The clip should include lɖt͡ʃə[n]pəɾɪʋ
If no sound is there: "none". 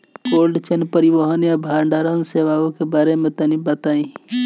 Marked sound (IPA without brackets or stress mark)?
n